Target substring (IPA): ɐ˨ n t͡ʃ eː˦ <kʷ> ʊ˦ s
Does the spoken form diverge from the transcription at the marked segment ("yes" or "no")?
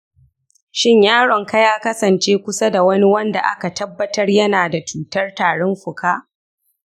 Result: no